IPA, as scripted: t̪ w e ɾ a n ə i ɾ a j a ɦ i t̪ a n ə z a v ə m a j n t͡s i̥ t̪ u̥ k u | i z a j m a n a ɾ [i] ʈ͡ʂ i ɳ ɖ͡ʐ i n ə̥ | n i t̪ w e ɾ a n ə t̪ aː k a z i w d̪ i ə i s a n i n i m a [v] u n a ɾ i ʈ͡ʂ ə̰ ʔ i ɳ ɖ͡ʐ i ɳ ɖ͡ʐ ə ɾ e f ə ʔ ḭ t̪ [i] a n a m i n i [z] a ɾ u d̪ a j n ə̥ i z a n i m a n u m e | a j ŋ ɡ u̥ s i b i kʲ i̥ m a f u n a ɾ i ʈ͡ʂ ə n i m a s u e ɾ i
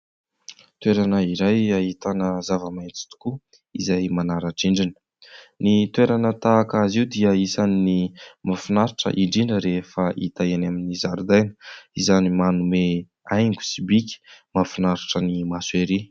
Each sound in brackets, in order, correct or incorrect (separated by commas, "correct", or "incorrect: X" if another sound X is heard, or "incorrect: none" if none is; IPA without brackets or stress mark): incorrect: a, incorrect: f, incorrect: a, correct